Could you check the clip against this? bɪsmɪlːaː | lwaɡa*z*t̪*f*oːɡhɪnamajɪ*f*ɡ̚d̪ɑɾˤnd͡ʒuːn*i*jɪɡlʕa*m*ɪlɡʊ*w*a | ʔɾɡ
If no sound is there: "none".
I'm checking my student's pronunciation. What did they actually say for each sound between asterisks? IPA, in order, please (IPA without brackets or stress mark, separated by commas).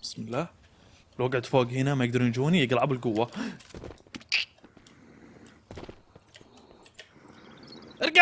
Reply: ʕ, f, none, i, b, wː